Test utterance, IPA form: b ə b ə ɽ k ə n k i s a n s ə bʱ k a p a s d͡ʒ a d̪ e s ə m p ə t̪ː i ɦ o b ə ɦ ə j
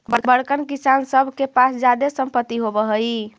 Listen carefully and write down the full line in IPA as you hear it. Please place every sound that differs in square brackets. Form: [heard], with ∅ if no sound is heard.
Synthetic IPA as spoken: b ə b ə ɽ k ə n k i s a n s ə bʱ k [e] p a s d͡ʒ a d̪ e s ə m p ə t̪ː i ɦ o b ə ɦ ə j